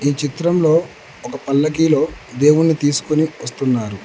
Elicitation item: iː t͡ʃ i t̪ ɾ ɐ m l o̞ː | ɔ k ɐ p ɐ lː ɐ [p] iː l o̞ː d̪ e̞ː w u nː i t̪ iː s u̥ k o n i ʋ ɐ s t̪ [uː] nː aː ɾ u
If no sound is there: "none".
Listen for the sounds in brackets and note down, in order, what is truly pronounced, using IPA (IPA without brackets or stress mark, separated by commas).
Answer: k, u